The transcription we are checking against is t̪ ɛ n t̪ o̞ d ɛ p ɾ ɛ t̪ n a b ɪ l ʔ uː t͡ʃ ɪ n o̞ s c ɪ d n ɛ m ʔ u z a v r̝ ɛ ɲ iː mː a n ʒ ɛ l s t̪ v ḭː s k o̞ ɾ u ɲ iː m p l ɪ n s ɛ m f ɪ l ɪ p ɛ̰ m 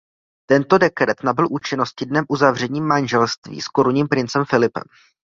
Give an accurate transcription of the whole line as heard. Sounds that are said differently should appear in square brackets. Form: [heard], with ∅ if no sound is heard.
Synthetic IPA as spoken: t̪ ɛ n t̪ o̞ d ɛ [k] ɾ ɛ t̪ n a b ɪ l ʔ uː t͡ʃ ɪ n o̞ s c ɪ d n ɛ m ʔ u z a v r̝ ɛ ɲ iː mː a n ʒ ɛ l s t̪ v ḭː s k o̞ ɾ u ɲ iː m p [ɾ] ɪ n [t͡s] ɛ m f ɪ l ɪ p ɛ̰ m